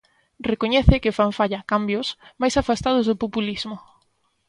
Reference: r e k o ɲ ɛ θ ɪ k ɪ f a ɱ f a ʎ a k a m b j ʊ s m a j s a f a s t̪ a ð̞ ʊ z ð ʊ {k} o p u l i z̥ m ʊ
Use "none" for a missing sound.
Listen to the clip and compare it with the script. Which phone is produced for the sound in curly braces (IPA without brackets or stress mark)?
p